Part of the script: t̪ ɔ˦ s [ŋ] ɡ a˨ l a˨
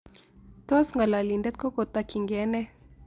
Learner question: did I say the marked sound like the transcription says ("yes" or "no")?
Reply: yes